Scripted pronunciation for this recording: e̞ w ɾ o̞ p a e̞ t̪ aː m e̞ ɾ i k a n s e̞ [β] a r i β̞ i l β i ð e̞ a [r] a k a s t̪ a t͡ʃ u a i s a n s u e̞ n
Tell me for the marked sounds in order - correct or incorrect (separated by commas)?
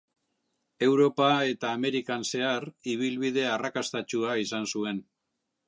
incorrect, correct